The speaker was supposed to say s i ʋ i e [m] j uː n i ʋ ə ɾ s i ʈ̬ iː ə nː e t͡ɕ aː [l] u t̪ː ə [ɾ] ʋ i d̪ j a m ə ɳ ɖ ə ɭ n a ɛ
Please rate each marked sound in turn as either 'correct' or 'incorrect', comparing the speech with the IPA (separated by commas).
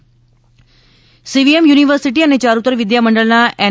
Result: correct, incorrect, correct